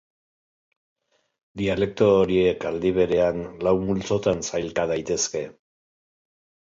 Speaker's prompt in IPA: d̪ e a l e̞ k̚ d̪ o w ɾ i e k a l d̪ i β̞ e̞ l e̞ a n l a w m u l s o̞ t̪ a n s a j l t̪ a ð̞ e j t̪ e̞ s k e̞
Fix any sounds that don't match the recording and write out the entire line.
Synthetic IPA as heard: d̪ i a l e̞ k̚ t̪ o ɾ i e k a l d̪ i β̞ e̞ ɾ e̞ a n l a w m u l t͡s o̞ t̪ a n s a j l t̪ a ð̞ a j t̪ e̞ s k e̞